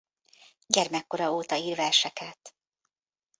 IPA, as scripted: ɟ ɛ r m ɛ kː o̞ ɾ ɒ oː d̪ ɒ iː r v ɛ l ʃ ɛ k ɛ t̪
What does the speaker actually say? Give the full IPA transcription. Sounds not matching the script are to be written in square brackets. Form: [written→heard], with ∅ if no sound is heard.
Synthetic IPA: ɟ ɛ r m ɛ kː o̞ ɾ ɒ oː [d̪→t̪] ɒ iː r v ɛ [l→r] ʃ ɛ k ɛ t̪